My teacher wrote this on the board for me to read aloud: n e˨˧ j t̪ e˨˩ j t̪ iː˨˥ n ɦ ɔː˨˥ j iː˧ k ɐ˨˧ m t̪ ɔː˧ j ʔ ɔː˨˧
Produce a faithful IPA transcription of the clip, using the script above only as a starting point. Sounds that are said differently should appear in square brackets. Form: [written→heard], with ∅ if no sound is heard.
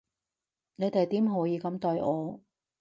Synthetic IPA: n e˨˧ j t̪ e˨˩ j t̪ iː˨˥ [n→m] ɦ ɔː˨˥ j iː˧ k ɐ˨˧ m t̪ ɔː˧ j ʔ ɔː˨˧